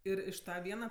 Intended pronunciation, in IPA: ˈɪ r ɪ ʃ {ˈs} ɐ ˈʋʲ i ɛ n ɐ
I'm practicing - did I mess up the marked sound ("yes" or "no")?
yes